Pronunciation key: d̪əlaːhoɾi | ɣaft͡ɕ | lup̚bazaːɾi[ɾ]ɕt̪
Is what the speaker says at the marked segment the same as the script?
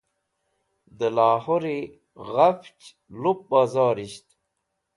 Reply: no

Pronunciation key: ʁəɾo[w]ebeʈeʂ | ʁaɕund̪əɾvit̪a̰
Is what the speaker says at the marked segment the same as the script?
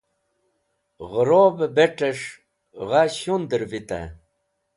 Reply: no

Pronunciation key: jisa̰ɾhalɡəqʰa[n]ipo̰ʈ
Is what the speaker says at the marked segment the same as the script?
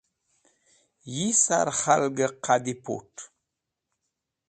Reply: no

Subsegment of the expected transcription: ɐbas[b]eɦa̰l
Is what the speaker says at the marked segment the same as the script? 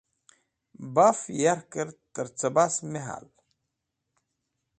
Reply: no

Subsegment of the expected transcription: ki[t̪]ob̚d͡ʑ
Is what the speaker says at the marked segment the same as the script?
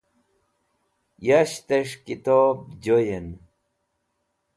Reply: yes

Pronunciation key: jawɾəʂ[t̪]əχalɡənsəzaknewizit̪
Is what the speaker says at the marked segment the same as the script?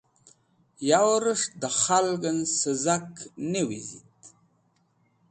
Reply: no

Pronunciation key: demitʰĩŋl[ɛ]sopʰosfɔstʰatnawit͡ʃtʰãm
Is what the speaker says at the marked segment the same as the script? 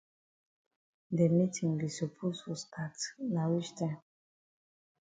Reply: no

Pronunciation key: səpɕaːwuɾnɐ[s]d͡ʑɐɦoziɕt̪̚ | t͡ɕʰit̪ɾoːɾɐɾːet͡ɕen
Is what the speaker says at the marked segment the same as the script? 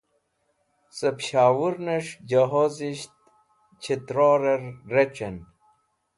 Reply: no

